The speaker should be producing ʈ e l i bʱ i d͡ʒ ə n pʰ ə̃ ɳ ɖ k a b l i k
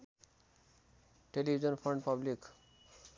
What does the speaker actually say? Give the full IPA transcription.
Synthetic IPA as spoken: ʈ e l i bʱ i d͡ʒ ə n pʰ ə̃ ɳ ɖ p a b l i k